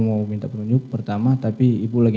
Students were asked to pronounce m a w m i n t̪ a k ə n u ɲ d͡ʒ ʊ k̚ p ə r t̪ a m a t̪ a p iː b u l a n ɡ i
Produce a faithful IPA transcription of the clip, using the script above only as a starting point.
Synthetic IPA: m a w m i n t̪ a p ə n u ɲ d͡ʒ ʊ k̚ p ə r t̪ a m a t̪ a p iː b u l a ɡ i